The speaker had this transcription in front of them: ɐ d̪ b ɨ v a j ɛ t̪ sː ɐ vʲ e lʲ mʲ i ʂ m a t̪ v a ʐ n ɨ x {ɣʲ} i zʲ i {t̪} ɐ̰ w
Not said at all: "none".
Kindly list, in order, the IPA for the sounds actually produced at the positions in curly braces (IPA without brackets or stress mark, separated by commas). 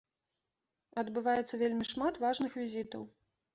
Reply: vʲ, t̪